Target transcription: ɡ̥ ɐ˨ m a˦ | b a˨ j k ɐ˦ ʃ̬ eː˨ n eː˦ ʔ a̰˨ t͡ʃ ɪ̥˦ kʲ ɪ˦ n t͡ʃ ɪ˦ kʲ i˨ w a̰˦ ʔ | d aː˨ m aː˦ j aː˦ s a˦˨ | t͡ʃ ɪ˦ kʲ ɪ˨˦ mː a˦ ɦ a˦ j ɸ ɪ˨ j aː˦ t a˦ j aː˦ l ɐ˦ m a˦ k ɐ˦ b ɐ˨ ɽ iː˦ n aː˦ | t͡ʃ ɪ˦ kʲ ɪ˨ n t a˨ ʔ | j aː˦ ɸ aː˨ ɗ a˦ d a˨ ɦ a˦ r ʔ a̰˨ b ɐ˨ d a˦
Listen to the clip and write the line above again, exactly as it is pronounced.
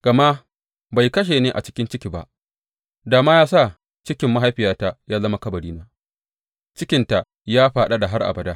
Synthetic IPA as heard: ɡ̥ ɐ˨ m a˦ | b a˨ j k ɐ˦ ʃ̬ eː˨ n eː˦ ʔ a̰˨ t͡ʃ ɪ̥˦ kʲ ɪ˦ n t͡ʃ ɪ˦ kʲ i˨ b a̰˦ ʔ | d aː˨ m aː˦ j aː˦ s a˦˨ | t͡ʃ ɪ˦ kʲ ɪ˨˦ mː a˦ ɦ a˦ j ɸ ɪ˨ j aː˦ t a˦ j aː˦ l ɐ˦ m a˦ k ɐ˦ b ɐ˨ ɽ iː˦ n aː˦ | t͡ʃ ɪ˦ kʲ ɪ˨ n t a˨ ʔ | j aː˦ ɸ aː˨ ɗ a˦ d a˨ ɦ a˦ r ʔ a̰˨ b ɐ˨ d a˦